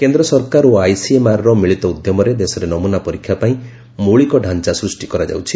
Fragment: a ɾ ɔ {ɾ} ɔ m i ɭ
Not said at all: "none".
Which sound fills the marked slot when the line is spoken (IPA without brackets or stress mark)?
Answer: ɾ